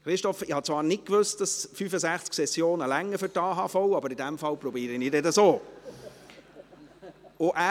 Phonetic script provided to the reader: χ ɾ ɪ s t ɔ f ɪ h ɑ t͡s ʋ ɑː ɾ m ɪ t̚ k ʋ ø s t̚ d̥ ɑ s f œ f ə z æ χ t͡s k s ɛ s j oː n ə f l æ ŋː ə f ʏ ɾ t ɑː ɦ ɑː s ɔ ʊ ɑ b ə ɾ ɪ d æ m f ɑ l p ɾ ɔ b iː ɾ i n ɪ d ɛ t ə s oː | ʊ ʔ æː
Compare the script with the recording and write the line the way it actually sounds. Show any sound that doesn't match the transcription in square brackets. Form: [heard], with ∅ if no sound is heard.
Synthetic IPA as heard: χ ɾ ɪ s t ɔ f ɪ h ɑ t͡s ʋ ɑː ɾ [n] ɪ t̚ k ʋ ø s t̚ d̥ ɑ s f [y] f ə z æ χ t͡s k s ɛ s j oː n ə [∅] l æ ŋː ə f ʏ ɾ t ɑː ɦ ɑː [f] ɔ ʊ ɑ b ə ɾ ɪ d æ m f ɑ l p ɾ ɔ b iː ɾ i n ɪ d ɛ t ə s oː | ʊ ʔ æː

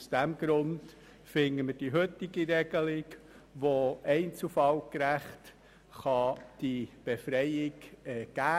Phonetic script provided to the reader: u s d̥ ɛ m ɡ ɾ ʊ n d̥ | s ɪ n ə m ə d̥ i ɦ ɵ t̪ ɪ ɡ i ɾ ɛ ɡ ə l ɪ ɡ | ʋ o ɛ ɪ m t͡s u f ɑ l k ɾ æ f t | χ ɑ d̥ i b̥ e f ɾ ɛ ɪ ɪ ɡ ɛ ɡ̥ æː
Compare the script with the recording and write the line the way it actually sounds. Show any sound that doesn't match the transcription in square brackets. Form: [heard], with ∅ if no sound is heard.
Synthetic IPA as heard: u s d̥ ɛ m ɡ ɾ ʊ n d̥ | [f] ɪ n ə m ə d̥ i ɦ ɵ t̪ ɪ ɡ i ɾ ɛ ɡ ə l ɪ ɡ | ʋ o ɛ ɪ [n] t͡s u f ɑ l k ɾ æ [χ] t | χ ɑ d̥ i b̥ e f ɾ ɛ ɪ ɪ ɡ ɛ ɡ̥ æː

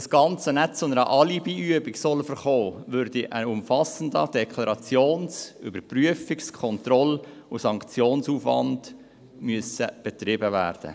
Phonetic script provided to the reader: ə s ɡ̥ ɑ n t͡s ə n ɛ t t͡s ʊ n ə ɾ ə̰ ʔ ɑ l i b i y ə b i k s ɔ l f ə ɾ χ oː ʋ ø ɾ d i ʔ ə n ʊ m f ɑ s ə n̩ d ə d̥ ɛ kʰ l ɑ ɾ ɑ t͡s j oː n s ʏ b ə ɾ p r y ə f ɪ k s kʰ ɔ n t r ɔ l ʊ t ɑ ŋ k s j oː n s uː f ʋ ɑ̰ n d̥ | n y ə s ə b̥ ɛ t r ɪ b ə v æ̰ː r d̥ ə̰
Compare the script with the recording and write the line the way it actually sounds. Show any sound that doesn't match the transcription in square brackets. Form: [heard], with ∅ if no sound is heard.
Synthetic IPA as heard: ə s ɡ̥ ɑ n t͡s ə n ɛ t t͡s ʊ n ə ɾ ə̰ ʔ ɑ l i b i y ə b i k s ɔ l f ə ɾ χ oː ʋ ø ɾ d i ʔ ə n ʊ m f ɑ s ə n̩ d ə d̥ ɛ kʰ l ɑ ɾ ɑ t͡s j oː n s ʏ b ə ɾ p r y ə f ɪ k s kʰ ɔ n t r ɔ l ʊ [s] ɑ ŋ k [t͡s] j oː n s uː f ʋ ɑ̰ n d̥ | [m] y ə s ə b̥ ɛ t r ɪ b ə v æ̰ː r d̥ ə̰

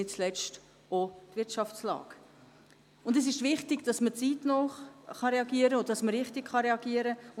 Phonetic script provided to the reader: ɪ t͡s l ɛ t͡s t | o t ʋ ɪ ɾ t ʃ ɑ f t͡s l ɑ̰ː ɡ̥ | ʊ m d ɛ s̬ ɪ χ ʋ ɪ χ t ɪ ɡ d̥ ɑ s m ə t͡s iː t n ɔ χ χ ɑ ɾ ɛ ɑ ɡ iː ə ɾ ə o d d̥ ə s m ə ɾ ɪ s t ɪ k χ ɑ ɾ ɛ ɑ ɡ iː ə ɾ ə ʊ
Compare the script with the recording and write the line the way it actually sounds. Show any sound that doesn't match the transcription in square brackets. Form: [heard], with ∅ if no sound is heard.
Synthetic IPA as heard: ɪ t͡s l ɛ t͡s t | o t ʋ ɪ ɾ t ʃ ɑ f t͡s l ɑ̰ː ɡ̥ | ʊ [n] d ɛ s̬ ɪ [ʃ] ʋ ɪ χ t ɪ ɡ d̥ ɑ s m ə t͡s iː t n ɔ χ χ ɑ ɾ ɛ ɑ ɡ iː ə ɾ ə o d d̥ [ɑ] s m ə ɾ ɪ [χ] t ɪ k χ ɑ ɾ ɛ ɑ ɡ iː ə ɾ ə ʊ

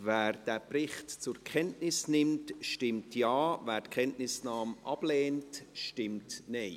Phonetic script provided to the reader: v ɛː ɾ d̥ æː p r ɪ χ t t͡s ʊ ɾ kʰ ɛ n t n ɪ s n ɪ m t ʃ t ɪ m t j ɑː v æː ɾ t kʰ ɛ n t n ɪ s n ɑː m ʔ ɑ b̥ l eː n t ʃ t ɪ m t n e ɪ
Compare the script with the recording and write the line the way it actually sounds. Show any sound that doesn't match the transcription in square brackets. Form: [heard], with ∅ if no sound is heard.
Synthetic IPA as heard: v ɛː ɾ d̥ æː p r ɪ χ t t͡s ʊ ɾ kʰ ɛ n t n ɪ s n ɪ m t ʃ t ɪ m t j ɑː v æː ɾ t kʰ ɛ n t n ɪ s n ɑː m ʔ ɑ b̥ l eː n t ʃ t ɪ m t n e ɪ

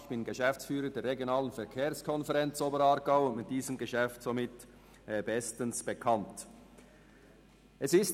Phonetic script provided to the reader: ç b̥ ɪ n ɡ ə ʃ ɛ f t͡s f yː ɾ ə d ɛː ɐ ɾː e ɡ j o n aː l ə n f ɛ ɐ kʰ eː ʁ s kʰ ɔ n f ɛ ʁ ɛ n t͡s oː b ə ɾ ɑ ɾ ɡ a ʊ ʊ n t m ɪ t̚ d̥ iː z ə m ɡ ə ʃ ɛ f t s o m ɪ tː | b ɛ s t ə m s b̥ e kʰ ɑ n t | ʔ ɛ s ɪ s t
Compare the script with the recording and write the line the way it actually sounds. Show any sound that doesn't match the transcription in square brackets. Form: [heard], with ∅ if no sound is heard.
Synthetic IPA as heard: ç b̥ ɪ n ɡ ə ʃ ɛ f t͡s f yː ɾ ə d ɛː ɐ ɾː e ɡ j o n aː l ə n f ɛ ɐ kʰ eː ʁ s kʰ ɔ n f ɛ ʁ ɛ n t͡s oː b ə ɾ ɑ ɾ ɡ a ʊ ʊ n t m ɪ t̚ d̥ iː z ə m ɡ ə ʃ ɛ f t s o m ɪ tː | b ɛ s t ə [n] s b̥ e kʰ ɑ n t | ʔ ɛ s ɪ s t

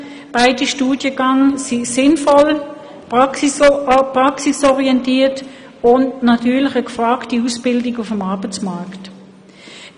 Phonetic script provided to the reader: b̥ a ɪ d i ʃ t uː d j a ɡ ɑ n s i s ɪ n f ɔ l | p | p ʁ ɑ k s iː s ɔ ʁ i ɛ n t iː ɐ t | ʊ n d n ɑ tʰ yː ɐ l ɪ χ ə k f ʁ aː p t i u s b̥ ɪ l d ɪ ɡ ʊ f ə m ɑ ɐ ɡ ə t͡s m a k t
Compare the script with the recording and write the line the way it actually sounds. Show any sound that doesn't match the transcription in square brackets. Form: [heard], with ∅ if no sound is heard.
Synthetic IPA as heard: b̥ a ɪ d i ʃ t uː d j [ə] ɡ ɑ [ŋ] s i s ɪ n f ɔ l | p | p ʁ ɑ k s [i] s ɔ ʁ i ɛ n t iː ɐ t | ʊ n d n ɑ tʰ yː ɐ l ɪ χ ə k f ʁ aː [k] t i u s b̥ ɪ l d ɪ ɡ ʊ f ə m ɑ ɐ [b] ə t͡s m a k t

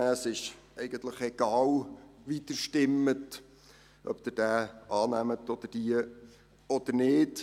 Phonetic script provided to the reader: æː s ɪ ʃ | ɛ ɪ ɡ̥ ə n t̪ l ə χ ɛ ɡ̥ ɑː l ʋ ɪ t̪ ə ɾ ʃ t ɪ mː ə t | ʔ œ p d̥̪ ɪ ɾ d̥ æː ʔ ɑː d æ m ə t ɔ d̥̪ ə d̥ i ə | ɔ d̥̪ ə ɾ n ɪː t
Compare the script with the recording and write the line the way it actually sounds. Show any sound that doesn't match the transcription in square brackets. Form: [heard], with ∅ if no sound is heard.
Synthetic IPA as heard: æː s ɪ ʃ | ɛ ɪ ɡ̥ ə n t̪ l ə χ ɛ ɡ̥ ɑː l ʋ [i] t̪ ə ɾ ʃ t ɪ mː ə t | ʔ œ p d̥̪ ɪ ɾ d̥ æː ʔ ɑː [n] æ m ə t ɔ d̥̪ ə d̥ i ə | ɔ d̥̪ ə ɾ n ɪː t

